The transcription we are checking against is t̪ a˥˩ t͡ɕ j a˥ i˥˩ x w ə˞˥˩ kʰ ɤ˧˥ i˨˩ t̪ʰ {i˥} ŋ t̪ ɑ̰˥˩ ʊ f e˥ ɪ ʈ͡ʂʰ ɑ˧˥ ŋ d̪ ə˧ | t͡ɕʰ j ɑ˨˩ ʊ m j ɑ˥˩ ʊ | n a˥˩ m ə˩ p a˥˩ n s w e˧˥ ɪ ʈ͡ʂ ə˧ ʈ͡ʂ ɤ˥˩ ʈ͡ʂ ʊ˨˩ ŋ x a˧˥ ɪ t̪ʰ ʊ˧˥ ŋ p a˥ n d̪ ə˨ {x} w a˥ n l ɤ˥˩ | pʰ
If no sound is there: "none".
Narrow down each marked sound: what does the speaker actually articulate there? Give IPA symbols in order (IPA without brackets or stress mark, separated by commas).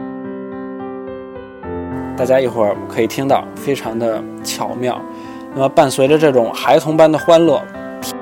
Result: i˥, x